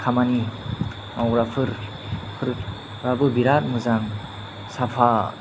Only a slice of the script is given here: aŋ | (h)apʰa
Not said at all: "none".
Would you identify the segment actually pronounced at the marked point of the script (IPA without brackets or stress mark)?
s